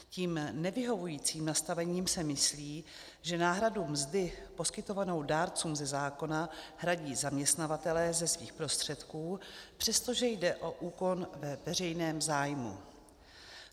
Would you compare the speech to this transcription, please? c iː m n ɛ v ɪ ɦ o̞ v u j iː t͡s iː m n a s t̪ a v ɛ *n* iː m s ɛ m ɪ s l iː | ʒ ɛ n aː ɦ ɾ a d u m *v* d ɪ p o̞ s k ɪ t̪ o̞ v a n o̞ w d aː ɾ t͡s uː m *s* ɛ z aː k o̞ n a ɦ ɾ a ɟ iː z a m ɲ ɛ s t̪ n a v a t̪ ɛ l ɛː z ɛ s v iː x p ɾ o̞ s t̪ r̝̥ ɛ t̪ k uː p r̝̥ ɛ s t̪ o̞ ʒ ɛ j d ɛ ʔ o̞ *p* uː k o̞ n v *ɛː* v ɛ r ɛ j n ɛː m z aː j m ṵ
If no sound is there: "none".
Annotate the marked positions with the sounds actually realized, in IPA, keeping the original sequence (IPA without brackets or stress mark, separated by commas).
ɲ, z, z, ʔ, ɛ